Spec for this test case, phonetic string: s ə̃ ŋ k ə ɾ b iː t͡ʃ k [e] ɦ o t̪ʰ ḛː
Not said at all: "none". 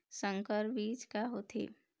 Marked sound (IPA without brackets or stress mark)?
a